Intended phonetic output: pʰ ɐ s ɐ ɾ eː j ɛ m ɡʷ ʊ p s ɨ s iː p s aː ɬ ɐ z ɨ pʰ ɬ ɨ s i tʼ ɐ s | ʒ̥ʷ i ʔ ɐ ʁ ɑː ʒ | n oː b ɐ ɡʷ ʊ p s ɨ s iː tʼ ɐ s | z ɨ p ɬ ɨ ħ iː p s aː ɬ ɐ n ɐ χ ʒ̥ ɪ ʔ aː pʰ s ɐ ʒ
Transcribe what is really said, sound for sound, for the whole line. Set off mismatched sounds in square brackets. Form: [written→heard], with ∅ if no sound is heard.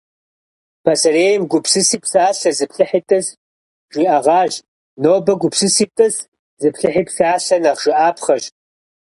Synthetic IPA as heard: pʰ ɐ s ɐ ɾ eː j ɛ m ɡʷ ʊ p s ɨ s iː p s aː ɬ ɐ z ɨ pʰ ɬ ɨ [s→ħ] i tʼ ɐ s | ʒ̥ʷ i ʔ ɐ ʁ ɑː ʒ | n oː b ɐ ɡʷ ʊ p s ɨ s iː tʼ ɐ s | z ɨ p ɬ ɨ ħ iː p s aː ɬ ɐ n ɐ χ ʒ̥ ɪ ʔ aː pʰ [s→χ] ɐ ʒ